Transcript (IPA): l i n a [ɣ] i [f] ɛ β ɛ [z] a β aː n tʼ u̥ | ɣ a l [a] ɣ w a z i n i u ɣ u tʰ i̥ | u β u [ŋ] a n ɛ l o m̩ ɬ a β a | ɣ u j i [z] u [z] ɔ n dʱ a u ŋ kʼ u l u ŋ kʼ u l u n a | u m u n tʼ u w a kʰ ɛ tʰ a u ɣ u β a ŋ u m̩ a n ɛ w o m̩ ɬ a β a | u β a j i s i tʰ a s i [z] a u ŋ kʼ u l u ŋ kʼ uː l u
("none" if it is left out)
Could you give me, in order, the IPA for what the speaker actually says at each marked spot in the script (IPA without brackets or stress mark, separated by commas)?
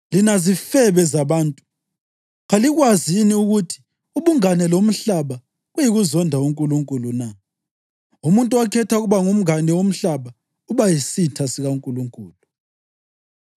z, f, z, i, ŋ, ɣ, z, ɣ